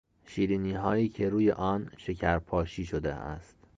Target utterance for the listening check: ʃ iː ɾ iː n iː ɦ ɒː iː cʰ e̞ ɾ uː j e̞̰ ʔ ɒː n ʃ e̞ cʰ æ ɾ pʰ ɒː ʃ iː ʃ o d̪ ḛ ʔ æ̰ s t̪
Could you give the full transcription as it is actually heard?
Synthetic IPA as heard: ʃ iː ɾ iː n iː ɦ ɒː iː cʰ e̞ ɾ uː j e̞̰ ʔ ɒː n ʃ e̞ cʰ æ ɾ pʰ ɒː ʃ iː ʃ o d̪ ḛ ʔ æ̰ s t̪